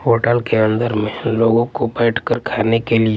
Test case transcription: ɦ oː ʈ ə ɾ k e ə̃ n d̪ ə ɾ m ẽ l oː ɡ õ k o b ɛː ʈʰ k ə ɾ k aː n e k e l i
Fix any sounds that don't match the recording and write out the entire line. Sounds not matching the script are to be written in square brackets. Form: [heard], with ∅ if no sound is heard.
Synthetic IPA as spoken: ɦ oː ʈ ə [l] k e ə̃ n d̪ ə ɾ m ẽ l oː ɡ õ k o b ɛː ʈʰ k ə ɾ [kʰ] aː n e k e l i